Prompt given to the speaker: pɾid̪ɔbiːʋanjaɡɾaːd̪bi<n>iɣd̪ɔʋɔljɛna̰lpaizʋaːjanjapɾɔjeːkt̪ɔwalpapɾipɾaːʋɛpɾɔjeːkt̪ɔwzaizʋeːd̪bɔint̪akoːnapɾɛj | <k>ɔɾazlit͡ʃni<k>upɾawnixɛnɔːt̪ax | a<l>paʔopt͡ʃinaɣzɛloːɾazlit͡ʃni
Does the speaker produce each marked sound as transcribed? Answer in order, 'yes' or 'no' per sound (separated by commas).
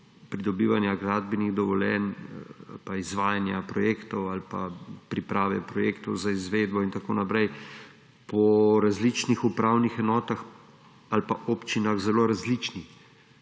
yes, no, no, yes